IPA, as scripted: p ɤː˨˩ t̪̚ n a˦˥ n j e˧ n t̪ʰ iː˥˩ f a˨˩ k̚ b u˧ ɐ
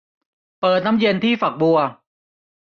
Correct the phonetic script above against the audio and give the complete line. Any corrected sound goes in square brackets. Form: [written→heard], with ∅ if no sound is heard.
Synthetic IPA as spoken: p ɤː˨˩ t̪̚ n a˦˥ [n→m] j e˧ n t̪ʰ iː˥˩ f a˨˩ k̚ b u˧ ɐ